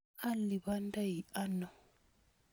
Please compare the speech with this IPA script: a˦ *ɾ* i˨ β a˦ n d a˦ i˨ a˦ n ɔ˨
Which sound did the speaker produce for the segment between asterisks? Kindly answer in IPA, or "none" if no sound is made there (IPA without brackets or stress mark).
l